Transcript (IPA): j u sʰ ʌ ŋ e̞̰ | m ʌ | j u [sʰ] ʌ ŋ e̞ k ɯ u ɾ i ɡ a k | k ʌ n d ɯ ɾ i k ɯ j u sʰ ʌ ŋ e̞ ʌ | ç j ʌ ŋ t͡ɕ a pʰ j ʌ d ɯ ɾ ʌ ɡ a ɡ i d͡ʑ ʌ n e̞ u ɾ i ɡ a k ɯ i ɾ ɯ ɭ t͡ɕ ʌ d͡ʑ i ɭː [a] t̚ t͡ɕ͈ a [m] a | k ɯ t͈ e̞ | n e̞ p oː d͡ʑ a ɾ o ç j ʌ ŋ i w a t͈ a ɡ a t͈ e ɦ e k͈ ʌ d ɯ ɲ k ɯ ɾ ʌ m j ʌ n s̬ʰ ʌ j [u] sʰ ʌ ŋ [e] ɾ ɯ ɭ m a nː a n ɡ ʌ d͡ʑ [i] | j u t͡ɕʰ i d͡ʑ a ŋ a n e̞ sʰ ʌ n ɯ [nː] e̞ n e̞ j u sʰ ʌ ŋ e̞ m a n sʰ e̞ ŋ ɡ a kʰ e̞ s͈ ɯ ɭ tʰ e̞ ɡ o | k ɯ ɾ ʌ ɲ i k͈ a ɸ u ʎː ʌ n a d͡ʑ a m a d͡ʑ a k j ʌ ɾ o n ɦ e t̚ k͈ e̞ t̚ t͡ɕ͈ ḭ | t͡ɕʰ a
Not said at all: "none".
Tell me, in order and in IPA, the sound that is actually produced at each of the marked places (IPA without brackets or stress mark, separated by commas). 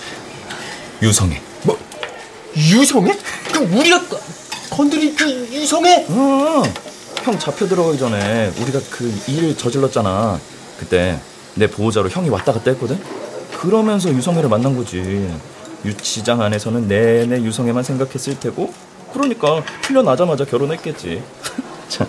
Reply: sʰ, ʌ, n, u, e, i, nː